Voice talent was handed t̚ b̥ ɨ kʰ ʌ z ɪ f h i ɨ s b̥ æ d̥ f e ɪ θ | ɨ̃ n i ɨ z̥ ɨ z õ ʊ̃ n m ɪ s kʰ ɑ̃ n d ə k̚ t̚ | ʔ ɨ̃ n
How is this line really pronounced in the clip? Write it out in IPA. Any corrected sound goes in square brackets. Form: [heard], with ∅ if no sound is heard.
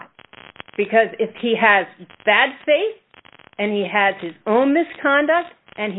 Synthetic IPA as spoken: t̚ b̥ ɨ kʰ ʌ z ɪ f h i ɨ [z] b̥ æ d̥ f e ɪ θ | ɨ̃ n i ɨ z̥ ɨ z õ ʊ̃ n m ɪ s kʰ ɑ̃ n d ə k̚ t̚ | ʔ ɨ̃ n